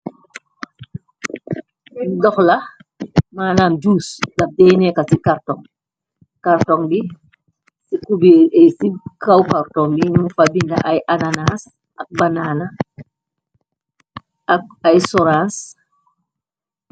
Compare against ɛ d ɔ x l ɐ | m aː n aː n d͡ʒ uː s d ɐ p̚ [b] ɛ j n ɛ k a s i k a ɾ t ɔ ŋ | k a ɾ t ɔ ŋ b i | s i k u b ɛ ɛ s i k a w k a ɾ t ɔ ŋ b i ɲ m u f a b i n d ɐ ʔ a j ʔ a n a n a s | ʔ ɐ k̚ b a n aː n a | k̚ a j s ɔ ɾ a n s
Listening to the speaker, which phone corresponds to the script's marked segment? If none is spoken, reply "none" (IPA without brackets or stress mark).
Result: d